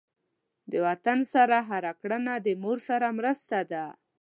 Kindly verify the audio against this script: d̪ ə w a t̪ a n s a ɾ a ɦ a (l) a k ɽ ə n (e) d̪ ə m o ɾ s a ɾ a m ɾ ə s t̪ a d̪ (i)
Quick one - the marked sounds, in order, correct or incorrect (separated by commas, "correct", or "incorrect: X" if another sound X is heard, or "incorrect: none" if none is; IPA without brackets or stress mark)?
incorrect: ɾ, incorrect: a, incorrect: a